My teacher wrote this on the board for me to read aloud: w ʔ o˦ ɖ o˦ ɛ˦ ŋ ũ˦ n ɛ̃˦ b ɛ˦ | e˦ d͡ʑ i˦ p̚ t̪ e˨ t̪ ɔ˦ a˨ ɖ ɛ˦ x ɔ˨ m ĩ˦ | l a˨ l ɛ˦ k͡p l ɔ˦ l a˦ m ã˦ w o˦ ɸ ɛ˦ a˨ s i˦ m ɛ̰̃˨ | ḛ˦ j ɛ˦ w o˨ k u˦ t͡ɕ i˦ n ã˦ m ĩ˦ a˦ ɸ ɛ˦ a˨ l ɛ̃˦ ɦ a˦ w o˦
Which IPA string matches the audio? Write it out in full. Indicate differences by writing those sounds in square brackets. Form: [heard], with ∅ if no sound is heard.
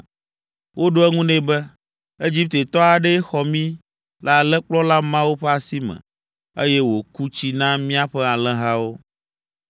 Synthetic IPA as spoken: w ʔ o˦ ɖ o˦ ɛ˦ ŋ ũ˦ n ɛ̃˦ b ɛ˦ | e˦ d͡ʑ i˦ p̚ t̪ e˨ t̪ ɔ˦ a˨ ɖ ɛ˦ x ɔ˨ m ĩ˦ | l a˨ l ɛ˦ k͡p l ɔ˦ l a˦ m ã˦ w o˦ ɸ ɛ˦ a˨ s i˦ m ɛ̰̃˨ | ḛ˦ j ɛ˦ w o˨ k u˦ t͡ɕ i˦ n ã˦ m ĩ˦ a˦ ɸ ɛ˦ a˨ l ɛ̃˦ ɦ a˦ w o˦